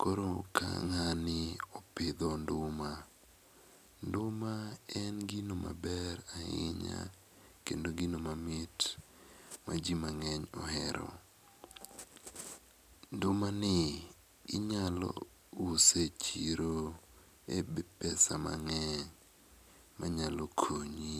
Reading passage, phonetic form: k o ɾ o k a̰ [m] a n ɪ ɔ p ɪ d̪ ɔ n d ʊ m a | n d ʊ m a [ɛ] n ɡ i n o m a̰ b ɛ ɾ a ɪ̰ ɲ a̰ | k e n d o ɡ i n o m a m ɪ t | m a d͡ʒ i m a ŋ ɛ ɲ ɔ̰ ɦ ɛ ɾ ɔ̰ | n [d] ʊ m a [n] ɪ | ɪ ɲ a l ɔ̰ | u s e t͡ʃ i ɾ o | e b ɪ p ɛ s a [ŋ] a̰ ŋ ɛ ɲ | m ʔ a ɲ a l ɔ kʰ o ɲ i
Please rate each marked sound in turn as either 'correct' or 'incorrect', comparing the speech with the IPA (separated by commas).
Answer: incorrect, correct, correct, correct, incorrect